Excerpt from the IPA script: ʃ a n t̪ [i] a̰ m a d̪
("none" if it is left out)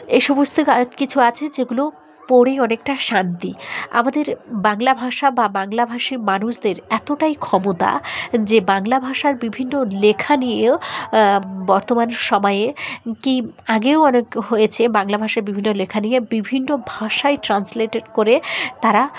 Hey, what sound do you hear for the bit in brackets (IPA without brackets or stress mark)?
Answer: i